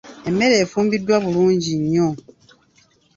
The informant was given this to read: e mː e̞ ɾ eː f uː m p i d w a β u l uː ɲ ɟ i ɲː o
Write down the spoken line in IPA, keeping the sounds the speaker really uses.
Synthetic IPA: e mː e̞ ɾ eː f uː m b i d w a β u l uː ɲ ɟ i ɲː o